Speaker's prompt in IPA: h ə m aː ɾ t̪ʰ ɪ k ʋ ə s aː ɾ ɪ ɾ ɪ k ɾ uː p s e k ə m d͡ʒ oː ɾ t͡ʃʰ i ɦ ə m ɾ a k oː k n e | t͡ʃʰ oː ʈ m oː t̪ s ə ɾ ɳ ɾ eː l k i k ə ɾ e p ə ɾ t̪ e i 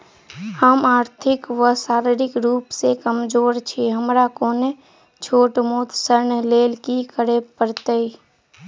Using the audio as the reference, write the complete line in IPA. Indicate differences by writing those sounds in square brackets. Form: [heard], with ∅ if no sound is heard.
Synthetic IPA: h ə m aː ɾ t̪ʰ ɪ k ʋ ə s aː ɾ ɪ ɾ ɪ k ɾ uː p s e k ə m d͡ʒ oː ɾ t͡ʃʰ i ɦ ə m ɾ a k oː [∅] n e | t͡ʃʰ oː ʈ m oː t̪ s ə ɾ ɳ [l] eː l k i k ə ɾ e p ə ɾ t̪ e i